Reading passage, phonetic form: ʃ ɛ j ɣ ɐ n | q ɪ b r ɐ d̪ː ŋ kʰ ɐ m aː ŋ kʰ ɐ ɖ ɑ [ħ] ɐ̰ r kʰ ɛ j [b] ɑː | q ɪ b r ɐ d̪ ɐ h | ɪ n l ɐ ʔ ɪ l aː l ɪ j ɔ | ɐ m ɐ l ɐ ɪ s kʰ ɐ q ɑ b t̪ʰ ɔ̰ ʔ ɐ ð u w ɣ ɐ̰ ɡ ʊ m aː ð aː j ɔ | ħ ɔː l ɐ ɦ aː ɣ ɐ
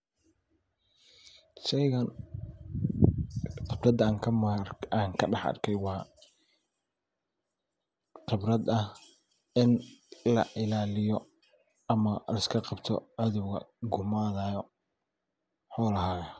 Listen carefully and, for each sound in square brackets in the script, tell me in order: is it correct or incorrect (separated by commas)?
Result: correct, incorrect